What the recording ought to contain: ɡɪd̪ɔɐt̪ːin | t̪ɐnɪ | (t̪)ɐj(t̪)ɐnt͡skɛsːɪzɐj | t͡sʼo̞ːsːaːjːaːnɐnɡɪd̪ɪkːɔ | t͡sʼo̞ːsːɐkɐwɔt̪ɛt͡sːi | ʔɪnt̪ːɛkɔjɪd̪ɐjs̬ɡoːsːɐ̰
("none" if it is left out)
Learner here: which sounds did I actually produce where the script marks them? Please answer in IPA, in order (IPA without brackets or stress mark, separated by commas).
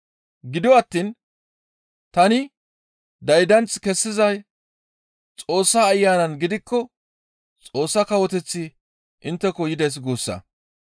d̪, d̪